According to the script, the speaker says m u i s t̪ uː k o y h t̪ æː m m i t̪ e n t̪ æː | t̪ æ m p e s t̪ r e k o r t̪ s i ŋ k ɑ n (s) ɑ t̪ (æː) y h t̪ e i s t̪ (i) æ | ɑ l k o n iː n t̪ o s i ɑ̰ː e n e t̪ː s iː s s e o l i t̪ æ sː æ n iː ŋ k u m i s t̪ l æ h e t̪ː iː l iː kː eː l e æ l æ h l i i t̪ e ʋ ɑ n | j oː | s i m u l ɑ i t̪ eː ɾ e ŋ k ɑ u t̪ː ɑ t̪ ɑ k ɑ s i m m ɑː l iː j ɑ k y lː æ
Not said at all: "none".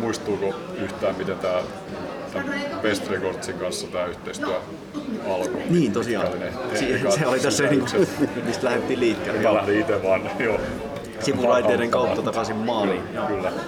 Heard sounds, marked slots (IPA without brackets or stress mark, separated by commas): sː, æː, y